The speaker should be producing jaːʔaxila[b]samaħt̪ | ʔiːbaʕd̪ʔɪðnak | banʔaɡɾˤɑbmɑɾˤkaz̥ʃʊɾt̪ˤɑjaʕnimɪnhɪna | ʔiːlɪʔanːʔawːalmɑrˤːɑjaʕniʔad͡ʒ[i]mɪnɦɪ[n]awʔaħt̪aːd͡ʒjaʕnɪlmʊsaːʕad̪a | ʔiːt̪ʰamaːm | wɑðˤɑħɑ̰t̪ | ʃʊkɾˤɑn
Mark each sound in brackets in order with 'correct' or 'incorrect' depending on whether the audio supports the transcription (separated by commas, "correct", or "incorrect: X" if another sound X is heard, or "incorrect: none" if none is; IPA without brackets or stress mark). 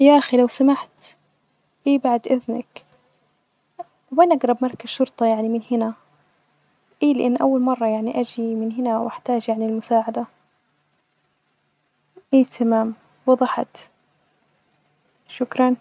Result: incorrect: w, correct, correct